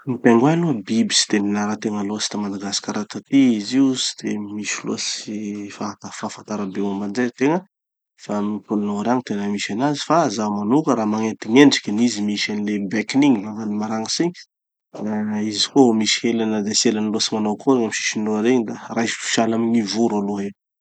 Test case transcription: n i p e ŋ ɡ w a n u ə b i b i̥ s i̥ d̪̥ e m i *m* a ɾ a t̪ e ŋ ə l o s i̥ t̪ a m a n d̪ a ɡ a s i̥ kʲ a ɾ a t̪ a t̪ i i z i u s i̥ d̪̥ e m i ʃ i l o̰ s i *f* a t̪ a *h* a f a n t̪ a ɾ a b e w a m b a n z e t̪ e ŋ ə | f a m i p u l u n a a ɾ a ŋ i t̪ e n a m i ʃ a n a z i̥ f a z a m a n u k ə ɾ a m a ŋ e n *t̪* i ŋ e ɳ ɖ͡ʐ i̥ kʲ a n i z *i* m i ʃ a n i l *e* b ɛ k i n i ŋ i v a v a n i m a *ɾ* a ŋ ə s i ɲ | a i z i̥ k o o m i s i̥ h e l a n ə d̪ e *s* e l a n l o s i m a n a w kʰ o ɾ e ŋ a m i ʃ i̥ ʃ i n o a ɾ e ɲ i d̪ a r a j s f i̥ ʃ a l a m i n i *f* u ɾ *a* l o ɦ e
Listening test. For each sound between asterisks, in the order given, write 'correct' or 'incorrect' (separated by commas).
incorrect, correct, incorrect, correct, correct, correct, correct, correct, incorrect, correct